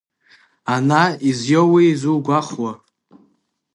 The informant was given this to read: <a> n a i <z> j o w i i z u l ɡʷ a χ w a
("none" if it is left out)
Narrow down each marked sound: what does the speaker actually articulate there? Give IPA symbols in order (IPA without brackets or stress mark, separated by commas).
a, z